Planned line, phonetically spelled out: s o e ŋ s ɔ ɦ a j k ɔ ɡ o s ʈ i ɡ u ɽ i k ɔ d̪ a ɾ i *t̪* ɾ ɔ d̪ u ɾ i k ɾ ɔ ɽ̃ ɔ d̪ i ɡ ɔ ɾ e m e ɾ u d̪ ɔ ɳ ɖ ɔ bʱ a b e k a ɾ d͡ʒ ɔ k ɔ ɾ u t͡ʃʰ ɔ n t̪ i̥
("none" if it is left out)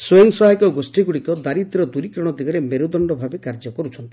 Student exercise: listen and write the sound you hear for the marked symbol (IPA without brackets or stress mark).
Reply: t̪